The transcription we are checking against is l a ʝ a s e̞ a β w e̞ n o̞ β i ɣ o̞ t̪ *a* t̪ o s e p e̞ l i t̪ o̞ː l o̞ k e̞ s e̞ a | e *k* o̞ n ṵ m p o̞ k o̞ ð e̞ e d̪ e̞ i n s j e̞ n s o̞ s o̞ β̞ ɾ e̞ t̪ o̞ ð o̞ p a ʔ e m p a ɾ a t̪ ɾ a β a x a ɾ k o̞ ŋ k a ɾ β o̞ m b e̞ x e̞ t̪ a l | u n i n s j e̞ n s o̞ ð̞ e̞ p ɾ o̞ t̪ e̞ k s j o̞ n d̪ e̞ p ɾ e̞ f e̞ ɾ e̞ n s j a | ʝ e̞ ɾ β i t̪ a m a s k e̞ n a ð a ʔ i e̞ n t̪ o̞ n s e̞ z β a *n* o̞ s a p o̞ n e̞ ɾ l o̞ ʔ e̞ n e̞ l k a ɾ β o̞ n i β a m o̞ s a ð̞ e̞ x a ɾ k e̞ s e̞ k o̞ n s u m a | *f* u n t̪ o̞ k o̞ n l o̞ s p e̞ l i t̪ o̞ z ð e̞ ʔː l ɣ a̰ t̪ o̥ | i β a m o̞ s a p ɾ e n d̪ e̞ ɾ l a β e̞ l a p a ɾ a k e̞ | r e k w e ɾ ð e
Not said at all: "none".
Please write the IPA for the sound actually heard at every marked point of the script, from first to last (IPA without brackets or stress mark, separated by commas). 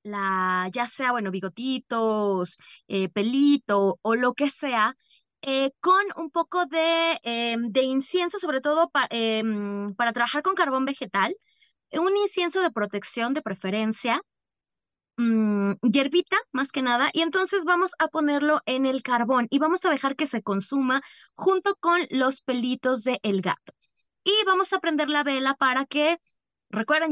i, k, m, x